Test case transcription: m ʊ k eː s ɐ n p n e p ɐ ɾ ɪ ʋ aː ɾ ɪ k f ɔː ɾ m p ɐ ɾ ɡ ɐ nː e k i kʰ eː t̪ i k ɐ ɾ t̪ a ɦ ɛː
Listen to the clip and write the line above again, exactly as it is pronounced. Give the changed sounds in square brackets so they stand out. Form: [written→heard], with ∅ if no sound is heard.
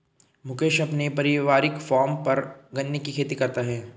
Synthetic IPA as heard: m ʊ k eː [s→ʃ] ɐ [n→∅] p n e p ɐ ɾ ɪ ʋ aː ɾ ɪ k f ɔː ɾ m p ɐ ɾ ɡ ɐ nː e k i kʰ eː t̪ i k ɐ ɾ t̪ a ɦ ɛː